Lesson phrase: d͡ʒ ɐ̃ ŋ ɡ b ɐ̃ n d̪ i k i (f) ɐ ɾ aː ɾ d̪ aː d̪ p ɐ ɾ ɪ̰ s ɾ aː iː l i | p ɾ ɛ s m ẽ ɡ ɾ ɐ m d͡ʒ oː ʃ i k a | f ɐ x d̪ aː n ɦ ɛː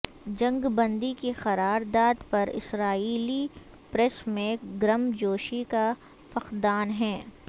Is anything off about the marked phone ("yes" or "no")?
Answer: yes